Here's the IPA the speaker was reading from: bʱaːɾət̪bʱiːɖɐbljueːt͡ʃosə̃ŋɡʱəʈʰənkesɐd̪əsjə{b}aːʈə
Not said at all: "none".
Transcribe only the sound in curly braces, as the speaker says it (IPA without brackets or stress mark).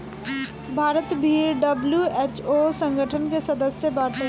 b